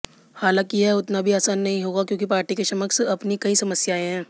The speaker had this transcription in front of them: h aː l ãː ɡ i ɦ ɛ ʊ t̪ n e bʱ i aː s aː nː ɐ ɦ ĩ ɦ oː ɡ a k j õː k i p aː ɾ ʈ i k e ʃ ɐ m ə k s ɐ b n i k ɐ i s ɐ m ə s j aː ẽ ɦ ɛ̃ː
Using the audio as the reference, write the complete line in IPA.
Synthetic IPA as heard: h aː l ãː k i ɦ ɛ ʊ t̪ n a bʱ i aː s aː nː ɐ ɦ ĩ ɦ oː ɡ a k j õː k i p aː ɾ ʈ i k e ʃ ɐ m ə k s ɐ p n i k ɐ i s ɐ m ə s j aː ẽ ɦ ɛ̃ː